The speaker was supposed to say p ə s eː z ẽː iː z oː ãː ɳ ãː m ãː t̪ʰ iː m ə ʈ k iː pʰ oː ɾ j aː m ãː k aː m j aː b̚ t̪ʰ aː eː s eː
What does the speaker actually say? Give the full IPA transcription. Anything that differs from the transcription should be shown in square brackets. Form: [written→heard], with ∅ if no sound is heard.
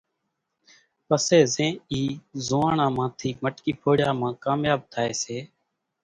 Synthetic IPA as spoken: p ə s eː z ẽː iː z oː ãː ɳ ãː m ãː t̪ʰ iː m ə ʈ k iː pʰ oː [ɾ→ɽ] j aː m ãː k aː m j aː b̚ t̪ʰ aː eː s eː